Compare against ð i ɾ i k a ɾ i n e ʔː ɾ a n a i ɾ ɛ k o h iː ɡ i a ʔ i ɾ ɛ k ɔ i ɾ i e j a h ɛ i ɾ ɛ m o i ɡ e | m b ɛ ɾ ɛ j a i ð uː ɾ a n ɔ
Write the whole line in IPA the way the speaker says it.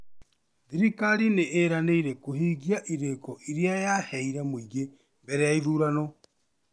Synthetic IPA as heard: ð i ɾ i k a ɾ i n e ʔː ɾ a n e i ɾ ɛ k o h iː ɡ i a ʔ i ɾ e k ɔ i ɾ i a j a h ɛ i ɾ ɛ m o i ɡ e | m b ɛ ɾ ɛ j a i ð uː ɾ a n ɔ